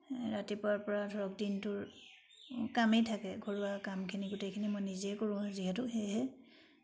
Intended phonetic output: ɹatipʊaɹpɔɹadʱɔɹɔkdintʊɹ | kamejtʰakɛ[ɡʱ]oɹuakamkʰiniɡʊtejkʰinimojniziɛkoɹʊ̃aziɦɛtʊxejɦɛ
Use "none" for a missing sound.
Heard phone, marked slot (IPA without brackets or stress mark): ɡʱ